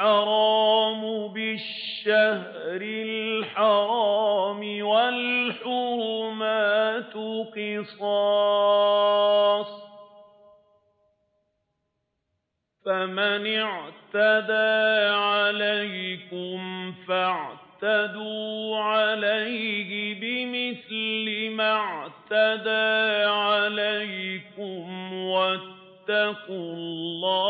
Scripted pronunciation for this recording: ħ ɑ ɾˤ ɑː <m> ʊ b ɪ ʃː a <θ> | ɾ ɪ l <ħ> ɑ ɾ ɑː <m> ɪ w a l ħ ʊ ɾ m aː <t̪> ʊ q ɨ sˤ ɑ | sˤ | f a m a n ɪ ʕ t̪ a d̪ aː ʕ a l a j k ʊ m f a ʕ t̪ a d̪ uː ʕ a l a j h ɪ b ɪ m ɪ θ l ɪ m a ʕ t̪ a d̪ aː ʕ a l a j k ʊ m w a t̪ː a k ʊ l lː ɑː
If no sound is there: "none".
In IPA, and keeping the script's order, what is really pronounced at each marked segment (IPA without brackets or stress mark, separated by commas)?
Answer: m, h, ħ, m, t̪